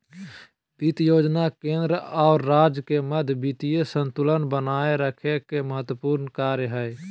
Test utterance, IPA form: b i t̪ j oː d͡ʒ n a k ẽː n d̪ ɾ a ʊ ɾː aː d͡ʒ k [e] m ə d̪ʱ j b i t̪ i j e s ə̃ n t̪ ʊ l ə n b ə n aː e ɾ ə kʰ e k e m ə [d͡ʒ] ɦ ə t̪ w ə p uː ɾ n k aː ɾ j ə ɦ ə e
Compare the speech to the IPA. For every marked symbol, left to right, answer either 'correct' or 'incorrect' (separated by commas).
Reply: correct, incorrect